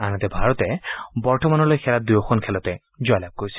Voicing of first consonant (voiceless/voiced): voiced